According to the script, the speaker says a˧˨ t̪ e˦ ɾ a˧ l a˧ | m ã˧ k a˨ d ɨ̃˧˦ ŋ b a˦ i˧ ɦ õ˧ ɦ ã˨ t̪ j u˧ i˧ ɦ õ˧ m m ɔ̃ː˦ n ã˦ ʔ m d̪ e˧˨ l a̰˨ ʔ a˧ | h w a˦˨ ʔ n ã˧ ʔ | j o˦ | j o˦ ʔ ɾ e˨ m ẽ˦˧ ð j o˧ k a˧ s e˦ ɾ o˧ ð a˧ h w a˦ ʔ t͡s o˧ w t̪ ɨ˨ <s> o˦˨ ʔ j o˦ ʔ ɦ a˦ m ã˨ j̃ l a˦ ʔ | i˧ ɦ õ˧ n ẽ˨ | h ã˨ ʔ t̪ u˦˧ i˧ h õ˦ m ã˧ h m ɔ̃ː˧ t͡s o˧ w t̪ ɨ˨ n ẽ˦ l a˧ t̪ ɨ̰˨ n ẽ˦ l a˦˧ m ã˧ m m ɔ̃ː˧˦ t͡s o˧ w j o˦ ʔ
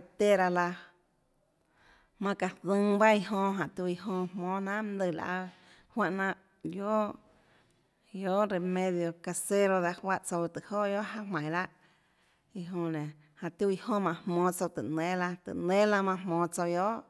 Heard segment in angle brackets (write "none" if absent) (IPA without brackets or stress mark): h